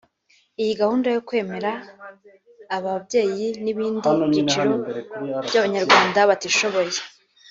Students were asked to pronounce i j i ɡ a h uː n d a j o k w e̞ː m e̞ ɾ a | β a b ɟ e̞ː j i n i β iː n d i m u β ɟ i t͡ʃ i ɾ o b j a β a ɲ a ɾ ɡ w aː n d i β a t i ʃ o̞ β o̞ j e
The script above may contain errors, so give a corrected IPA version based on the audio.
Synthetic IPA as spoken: i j i ɡ a h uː n d a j o k w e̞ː m e̞ ɾ a | β a b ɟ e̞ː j i n i β iː n d i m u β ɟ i t͡ʃ i ɾ o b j a β a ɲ a ɾ ɡ w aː n d a β a t i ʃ o̞ β o̞ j e